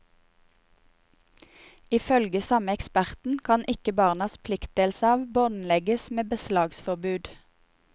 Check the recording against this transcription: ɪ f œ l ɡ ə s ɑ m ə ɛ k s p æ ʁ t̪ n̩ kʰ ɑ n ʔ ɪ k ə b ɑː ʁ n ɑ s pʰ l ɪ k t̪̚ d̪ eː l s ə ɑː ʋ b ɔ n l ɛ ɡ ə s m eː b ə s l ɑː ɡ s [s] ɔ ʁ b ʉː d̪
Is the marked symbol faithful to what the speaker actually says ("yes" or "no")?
no